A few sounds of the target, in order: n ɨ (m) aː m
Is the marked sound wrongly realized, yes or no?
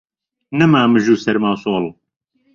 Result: no